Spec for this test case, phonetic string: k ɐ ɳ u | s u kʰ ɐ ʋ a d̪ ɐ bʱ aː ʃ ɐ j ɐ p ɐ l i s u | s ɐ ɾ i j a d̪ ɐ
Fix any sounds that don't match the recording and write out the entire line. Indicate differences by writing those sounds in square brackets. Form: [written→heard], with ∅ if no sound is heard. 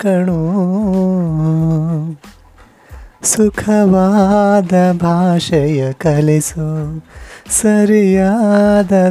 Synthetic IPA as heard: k ɐ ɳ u | s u kʰ ɐ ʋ a d̪ ɐ bʱ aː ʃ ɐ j ɐ [p→k] ɐ l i s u | s ɐ ɾ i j a d̪ ɐ